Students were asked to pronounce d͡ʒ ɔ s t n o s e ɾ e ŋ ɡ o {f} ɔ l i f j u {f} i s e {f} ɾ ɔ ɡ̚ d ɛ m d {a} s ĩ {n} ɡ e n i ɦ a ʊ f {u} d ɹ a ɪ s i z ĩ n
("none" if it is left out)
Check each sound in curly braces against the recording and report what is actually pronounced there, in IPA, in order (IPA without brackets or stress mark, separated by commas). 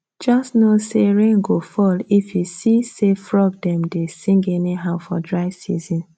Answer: f, s, f, e, ŋ, ɔ